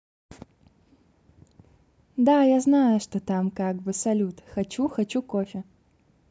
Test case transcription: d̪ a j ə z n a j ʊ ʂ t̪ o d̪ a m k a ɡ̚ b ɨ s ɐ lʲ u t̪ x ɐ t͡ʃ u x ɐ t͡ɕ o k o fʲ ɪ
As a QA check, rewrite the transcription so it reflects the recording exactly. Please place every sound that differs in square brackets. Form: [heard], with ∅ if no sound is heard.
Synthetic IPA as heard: d̪ a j [a] z n a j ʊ ʂ t̪ o [t̪] a m k a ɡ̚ b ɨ s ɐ lʲ u t̪ x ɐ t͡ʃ u x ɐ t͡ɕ [u] k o fʲ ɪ